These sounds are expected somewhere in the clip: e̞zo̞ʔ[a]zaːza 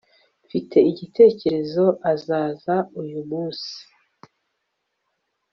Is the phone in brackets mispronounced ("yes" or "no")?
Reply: no